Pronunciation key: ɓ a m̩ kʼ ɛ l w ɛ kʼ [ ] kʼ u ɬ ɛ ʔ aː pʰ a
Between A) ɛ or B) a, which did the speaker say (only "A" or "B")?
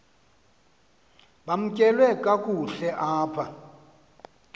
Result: B